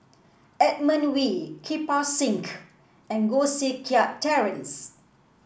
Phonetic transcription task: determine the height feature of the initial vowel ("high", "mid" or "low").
mid